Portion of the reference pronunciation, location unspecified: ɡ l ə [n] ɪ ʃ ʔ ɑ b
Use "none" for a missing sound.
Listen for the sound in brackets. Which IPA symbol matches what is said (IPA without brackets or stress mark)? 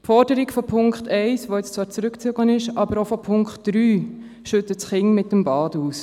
n